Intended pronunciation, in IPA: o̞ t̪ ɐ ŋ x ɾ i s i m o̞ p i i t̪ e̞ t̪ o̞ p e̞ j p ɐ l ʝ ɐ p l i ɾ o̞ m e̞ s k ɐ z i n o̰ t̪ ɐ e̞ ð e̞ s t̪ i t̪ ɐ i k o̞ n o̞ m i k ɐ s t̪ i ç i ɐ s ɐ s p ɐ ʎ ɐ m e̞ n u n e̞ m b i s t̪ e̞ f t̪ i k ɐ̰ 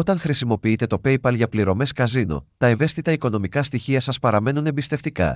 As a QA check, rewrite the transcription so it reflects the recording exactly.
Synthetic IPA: o̞ t̪ ɐ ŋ x ɾ i s i m o̞ p i i t̪ e̞ t̪ o̞ p e̞ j p ɐ l ʝ ɐ p l i ɾ o̞ m e̞ s k ɐ z i n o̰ t̪ ɐ e̞ v e̞ s t̪ i t̪ ɐ i k o̞ n o̞ m i k ɐ s t̪ i ç i ɐ s ɐ s p ɐ ɾ ɐ m e̞ n u n e̞ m b i s t̪ e̞ f t̪ i k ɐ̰